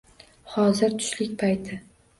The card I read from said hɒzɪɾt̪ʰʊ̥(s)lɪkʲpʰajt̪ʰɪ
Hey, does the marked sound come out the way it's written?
no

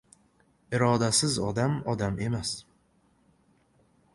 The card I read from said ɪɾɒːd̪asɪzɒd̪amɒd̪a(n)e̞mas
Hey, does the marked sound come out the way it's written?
no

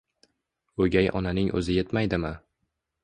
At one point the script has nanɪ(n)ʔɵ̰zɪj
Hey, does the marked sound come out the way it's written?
no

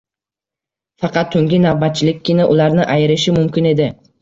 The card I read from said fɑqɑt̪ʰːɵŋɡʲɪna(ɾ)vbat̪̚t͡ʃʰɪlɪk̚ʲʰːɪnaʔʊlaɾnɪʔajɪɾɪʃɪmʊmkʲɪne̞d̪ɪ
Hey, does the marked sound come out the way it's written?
no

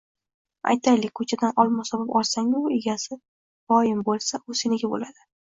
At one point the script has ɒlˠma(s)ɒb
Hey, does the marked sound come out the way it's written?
yes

